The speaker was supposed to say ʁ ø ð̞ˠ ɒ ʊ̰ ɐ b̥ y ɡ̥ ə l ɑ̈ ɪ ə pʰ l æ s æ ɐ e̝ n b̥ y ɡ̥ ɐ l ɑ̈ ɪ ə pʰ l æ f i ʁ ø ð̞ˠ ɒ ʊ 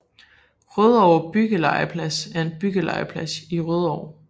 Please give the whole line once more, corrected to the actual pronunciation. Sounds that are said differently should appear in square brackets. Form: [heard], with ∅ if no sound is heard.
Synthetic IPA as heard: ʁ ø ð̞ˠ ɒ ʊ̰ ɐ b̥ y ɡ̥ ə l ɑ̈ ɪ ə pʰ l æ s æ ɐ e̝ n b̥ y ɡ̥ [ə] l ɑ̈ ɪ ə pʰ l æ [s] i ʁ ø ð̞ˠ ɒ ʊ